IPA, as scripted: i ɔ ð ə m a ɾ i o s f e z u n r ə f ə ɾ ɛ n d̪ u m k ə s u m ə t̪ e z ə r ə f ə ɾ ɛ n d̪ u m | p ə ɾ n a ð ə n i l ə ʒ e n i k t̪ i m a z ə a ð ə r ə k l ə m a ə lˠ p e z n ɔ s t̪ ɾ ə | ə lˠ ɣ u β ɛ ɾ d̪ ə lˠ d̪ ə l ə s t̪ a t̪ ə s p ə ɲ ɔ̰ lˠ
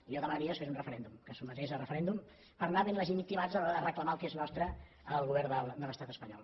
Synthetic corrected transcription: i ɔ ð ə m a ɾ i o s f e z u n r ə f ə ɾ ɛ n d̪ u m k ə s u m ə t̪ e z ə r ə f ə ɾ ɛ n d̪ u m | p ə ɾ n a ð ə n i l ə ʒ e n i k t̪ i m a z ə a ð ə r ə k l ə m a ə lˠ k e z n ɔ s t̪ ɾ ə | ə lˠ ɣ u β ɛ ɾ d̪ ə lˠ d̪ ə l ə s t̪ a t̪ ə s p ə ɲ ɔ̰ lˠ